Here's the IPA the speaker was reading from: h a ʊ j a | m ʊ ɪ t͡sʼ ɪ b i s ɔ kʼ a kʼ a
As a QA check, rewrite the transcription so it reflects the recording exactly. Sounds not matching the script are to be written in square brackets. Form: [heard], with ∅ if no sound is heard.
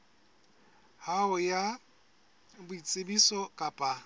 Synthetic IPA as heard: h a ʊ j a | [b] ʊ [i] t͡sʼ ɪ b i s ɔ kʼ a [pʼ] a